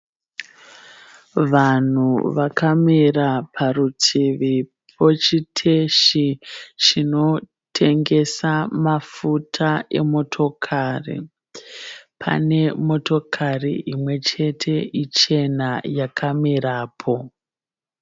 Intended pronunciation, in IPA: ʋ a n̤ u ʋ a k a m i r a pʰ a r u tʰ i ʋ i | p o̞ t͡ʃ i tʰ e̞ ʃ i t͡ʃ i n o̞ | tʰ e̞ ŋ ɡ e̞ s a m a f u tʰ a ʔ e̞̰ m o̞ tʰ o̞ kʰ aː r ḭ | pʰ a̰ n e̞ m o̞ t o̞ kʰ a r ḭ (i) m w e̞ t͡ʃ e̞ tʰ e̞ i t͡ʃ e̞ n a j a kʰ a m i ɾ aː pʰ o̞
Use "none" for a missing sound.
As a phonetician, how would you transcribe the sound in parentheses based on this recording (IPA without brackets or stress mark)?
i